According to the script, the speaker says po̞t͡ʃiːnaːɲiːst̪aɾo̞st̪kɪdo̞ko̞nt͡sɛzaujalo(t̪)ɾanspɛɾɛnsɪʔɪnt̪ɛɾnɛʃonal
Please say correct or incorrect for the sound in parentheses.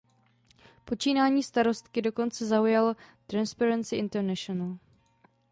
correct